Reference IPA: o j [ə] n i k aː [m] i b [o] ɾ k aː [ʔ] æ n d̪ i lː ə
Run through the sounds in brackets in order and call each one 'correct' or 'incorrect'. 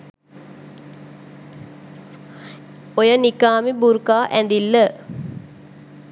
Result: correct, correct, incorrect: u, correct

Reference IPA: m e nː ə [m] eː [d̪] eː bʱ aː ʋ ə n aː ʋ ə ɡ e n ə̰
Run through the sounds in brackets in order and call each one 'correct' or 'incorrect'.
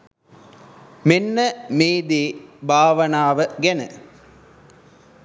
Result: correct, correct

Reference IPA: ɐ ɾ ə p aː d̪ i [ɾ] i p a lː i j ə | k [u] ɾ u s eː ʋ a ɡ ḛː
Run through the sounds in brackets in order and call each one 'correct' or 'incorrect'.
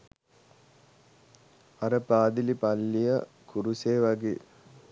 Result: incorrect: l, correct

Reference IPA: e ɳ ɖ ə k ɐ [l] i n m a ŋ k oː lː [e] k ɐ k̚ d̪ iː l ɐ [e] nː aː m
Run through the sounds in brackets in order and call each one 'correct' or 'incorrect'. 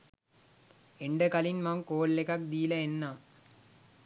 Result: correct, correct, correct

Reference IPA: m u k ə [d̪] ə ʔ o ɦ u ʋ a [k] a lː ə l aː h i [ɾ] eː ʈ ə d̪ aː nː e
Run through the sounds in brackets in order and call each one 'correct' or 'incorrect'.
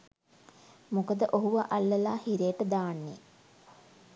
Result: correct, incorrect: ʔ, correct

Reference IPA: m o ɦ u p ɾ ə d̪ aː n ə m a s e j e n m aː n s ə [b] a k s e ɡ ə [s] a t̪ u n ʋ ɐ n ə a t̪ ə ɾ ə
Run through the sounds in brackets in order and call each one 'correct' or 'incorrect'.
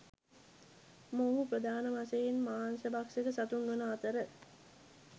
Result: correct, correct

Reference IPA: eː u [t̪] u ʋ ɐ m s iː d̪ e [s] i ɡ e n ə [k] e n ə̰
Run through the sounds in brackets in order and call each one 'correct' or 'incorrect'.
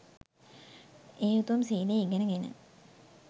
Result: correct, incorrect: none, incorrect: ɡ

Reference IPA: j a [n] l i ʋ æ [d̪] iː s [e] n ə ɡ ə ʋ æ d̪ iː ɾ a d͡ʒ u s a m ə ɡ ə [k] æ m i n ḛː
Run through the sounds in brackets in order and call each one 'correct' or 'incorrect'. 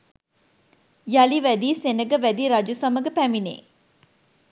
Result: incorrect: none, correct, correct, incorrect: p

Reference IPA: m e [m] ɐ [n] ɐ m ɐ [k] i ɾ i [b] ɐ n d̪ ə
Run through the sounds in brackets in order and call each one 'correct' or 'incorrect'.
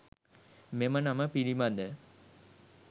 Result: correct, correct, incorrect: p, incorrect: m

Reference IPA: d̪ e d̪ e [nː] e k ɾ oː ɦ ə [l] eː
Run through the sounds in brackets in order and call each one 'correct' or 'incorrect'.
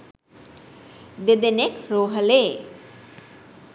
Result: incorrect: n, correct

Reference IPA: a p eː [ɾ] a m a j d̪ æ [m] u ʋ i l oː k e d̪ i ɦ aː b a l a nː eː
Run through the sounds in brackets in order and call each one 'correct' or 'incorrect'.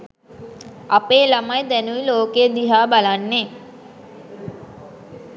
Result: incorrect: l, incorrect: n

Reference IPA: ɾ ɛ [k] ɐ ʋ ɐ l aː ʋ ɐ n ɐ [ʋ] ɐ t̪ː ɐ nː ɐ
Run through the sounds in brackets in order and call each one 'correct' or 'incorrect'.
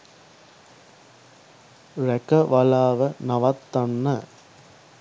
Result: correct, correct

